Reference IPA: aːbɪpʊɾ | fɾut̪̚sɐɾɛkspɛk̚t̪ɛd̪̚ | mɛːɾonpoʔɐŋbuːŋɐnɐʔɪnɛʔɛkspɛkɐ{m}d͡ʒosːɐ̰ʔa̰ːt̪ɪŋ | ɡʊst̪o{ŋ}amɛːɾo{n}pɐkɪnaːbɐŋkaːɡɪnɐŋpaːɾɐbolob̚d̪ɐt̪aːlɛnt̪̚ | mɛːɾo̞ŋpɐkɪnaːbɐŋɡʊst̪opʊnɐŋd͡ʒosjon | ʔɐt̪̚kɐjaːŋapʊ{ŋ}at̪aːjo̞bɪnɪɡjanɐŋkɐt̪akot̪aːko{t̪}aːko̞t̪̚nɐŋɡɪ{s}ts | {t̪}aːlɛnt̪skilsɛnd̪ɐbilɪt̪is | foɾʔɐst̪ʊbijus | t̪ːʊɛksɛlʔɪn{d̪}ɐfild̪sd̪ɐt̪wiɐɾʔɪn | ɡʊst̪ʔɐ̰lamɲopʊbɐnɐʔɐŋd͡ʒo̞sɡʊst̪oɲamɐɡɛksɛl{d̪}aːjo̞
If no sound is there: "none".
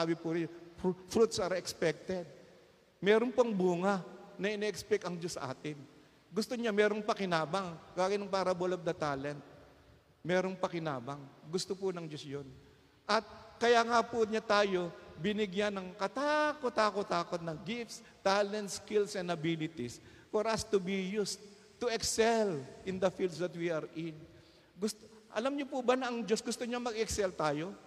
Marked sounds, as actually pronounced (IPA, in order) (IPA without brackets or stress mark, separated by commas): ŋ, ɲ, ŋ, ɲ, t̪, f, t̪, d̪, t̪